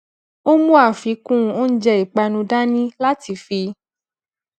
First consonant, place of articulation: labial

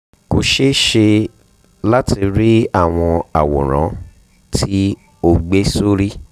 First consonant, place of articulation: velar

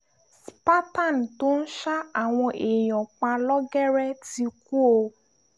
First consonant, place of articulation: alveolar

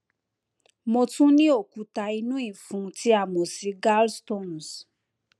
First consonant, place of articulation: labial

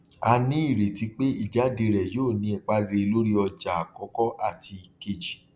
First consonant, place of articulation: alveolar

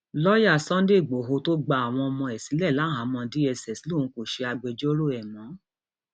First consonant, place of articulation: alveolar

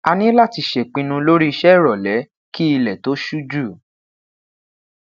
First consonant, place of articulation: alveolar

